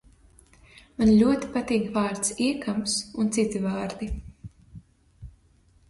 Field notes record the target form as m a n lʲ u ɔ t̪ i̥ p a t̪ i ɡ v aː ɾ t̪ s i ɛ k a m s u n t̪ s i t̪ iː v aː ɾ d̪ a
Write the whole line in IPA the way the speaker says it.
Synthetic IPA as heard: m a n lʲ u ɔ t̪ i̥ p a t̪ iː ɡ v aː ɾ t̪ s i ɛ k a m s u n t̪ s i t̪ i v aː ɾ d̪ i